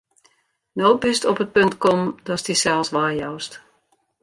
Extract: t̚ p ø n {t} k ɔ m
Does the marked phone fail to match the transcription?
no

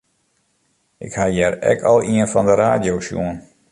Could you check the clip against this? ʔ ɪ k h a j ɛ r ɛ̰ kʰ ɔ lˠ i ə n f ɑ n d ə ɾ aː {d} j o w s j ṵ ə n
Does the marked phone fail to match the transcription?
no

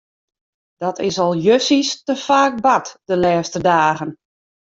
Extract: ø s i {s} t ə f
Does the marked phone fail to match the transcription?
no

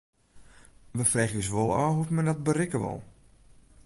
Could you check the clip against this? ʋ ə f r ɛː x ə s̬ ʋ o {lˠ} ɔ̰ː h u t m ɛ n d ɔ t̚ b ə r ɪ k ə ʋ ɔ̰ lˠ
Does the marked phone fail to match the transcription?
no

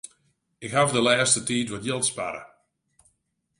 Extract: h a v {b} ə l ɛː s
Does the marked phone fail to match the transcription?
yes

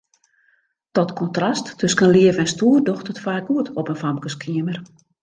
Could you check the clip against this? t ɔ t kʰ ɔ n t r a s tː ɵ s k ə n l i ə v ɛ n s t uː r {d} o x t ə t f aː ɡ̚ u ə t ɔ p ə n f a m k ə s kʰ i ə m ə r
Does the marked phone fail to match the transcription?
no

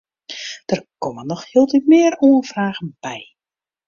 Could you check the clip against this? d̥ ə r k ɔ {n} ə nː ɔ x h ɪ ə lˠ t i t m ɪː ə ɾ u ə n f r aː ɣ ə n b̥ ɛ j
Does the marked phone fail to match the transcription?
yes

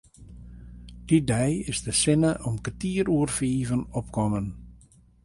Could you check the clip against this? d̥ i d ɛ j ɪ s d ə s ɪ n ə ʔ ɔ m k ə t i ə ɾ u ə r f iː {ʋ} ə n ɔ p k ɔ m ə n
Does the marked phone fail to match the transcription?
yes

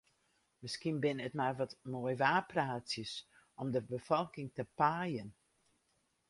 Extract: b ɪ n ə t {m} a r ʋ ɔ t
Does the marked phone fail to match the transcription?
no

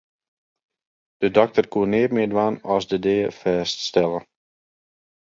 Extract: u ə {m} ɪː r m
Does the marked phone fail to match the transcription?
yes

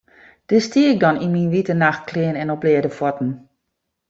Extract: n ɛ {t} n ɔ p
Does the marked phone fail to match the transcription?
yes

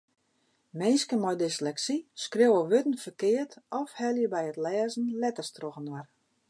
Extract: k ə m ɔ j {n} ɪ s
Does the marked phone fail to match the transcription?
yes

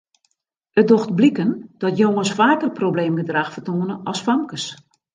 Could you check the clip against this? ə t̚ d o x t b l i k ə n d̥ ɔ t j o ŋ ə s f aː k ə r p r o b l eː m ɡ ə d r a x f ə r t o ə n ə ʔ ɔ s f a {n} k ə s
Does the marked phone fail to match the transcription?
yes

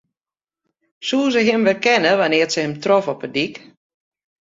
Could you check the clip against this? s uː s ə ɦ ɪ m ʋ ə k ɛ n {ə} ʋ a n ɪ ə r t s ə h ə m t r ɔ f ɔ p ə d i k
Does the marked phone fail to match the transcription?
no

